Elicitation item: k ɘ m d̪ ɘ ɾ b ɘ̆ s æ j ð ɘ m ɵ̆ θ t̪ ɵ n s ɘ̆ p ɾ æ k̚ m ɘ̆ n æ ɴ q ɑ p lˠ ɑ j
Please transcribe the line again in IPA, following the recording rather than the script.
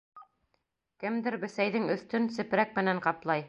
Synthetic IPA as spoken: k ɘ m d̪ ɘ ɾ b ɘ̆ s æ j ð ɘ ŋ ɵ̆ θ t̪ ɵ n s ɘ̆ p ɾ æ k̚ m ɘ̆ n æ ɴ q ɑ p lˠ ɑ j